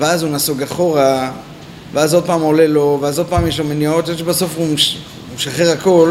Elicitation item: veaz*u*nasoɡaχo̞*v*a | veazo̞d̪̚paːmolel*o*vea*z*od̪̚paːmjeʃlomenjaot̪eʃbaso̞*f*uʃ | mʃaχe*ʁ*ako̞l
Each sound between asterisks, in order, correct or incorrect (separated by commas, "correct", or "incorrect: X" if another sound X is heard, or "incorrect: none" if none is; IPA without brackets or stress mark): correct, incorrect: ʁ, correct, correct, correct, correct